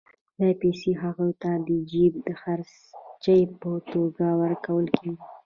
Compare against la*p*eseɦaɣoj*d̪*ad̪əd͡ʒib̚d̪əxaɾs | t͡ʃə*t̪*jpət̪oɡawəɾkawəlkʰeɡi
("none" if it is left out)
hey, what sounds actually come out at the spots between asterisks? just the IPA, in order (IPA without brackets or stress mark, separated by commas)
p, t̪, none